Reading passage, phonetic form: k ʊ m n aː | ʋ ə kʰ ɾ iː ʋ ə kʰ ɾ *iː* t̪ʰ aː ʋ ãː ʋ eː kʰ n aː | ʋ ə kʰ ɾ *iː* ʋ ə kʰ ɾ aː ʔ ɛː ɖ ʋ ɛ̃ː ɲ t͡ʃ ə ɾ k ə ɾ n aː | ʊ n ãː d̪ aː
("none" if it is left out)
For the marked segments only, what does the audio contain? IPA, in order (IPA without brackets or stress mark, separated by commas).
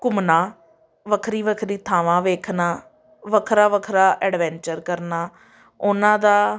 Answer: iː, aː